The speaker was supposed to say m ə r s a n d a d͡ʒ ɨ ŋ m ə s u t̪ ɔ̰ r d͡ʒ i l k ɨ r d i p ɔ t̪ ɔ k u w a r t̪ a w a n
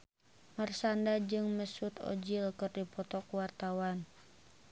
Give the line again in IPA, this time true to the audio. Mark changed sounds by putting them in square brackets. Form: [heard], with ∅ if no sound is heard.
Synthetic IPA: m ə r s a n d a d͡ʒ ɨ ŋ m ə s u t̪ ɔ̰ [∅] d͡ʒ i l k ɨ r d i p ɔ t̪ ɔ k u w a r t̪ a w a n